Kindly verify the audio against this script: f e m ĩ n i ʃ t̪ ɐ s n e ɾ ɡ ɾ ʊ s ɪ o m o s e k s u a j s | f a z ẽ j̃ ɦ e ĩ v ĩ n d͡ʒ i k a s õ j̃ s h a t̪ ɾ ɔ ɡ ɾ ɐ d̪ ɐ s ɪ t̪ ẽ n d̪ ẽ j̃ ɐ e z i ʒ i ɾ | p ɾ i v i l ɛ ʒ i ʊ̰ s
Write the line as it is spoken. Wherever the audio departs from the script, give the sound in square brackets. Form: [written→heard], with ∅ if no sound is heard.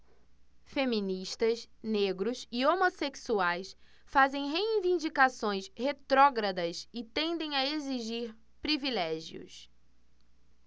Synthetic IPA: f e m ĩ n i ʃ t̪ ɐ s n e [ɾ→∅] ɡ ɾ ʊ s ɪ o m o s e k s u a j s | f a z ẽ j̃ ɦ e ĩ v ĩ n d͡ʒ i k a s õ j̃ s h [a→e] t̪ ɾ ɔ ɡ ɾ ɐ d̪ ɐ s ɪ t̪ ẽ n d̪ ẽ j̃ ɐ e z i ʒ i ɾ | p ɾ i v i l ɛ ʒ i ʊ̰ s